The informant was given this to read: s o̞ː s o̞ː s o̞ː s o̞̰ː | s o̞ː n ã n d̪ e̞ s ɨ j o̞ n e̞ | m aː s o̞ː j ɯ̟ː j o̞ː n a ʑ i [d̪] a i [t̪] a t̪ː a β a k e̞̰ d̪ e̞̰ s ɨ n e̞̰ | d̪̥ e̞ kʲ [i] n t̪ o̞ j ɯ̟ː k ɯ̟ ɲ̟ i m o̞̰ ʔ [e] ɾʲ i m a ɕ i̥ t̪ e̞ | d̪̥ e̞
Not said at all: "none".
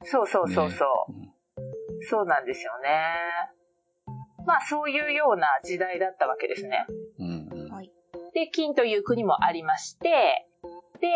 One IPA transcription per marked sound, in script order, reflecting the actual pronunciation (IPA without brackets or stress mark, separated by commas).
d̪, d̪, ĩ, a